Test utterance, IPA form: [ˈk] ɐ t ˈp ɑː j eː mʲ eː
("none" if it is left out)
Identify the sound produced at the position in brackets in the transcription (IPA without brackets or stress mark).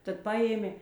t